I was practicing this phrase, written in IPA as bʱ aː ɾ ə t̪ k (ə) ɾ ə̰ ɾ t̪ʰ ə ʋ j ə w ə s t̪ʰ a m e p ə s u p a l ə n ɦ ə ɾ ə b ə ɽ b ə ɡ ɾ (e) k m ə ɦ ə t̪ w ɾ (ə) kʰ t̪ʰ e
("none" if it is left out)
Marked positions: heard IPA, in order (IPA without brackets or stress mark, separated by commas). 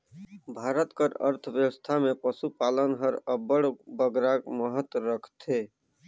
ə, a, ə